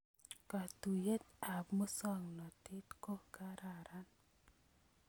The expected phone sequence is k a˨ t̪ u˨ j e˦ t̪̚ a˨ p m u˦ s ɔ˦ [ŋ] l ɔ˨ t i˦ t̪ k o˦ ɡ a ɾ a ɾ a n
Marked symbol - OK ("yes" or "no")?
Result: yes